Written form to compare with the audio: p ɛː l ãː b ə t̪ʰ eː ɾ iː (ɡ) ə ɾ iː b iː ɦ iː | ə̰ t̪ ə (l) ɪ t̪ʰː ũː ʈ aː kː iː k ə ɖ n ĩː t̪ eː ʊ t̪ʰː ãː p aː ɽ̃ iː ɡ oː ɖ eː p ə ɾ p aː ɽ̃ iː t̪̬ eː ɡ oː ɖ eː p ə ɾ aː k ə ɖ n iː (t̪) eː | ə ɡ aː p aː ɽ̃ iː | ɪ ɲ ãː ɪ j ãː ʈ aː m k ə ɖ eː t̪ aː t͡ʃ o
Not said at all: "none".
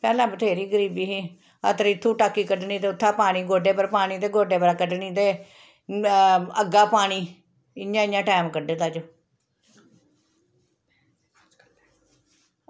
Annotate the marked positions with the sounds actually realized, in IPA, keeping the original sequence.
ɡ, ɾ, t̪

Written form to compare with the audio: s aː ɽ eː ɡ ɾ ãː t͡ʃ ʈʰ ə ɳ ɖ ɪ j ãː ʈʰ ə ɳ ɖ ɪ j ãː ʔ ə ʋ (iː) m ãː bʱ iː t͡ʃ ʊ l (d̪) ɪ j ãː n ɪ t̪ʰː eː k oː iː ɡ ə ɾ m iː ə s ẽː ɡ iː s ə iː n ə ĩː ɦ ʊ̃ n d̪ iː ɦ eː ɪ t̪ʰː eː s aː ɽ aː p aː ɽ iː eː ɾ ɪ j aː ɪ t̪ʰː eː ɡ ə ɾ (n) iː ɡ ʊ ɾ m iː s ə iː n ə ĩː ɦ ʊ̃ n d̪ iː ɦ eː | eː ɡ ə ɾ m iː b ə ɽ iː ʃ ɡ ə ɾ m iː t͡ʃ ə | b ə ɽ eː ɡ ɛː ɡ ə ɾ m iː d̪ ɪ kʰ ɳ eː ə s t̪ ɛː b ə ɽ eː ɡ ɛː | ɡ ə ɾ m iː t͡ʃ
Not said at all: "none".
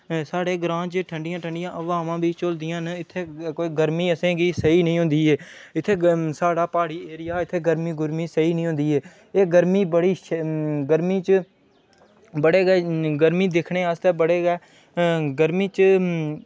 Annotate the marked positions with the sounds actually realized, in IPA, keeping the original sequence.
aː, d̪, m

